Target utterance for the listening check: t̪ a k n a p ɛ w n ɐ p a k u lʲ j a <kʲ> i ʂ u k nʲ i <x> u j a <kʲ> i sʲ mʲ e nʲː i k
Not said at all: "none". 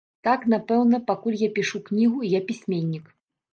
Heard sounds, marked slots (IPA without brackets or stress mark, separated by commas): pʲ, ɣ, pʲ